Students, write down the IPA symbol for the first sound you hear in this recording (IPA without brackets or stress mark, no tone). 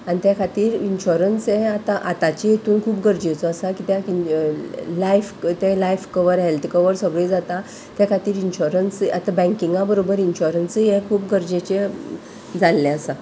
a